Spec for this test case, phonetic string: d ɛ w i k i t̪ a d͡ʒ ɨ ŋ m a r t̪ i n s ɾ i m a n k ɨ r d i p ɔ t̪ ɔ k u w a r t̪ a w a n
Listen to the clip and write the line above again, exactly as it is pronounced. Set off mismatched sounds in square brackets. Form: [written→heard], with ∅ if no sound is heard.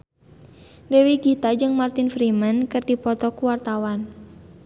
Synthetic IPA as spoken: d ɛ w i [k→ɡ] i t̪ a d͡ʒ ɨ ŋ m a r t̪ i n [s→f] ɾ i m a n k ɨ r d i p ɔ t̪ ɔ k u w a r t̪ a w a n